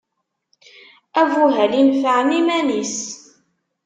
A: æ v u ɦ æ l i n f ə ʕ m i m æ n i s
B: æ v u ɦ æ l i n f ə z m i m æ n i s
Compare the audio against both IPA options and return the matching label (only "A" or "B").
A